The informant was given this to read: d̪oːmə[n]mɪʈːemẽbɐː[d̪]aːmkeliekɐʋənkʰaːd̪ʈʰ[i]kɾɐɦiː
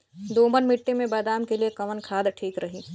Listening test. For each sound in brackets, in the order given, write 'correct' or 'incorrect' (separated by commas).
correct, correct, incorrect